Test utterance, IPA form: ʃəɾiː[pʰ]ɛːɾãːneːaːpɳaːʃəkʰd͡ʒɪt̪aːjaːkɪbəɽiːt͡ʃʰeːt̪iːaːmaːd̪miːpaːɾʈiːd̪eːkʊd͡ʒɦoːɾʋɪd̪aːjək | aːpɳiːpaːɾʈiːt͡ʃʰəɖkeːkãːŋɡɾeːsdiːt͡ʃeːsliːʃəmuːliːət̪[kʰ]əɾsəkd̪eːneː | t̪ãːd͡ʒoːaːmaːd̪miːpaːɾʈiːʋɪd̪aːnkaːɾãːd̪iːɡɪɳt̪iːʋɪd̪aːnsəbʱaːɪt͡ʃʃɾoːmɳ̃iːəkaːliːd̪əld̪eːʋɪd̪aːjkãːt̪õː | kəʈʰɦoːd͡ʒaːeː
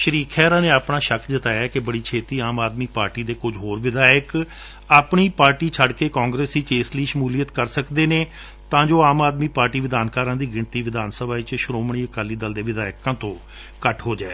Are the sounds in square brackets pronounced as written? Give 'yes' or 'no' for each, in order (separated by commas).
no, no